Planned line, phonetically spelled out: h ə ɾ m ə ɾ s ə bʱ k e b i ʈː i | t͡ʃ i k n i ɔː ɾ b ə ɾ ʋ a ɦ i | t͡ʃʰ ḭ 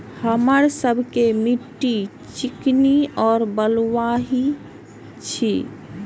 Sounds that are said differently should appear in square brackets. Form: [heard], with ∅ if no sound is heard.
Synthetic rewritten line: h ə [∅] m ə ɾ s ə bʱ k e [m] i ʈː i | t͡ʃ i k n i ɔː ɾ b ə [l] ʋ a ɦ i | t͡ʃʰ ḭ

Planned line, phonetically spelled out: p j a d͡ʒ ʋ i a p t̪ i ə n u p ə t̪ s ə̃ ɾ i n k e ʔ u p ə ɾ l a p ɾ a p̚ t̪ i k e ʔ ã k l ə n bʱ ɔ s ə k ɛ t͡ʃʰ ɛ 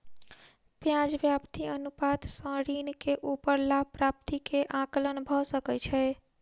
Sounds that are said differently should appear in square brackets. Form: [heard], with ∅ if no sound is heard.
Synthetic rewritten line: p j a d͡ʒ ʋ [j] a p t̪ i ə n u p [a] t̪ s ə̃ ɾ i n k e ʔ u p ə ɾ l a p ɾ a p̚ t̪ i k e ʔ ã k l ə n bʱ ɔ s ə k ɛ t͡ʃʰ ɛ

